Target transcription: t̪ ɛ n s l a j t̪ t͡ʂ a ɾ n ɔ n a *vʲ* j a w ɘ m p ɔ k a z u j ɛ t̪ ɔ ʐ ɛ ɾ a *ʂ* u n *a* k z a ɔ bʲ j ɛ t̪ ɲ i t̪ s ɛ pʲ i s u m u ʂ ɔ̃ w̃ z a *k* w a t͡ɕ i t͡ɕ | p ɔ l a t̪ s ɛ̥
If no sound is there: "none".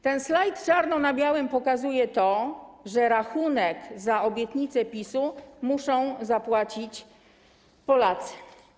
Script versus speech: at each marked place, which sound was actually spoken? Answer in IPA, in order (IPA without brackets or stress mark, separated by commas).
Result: bʲ, x, ɛ, p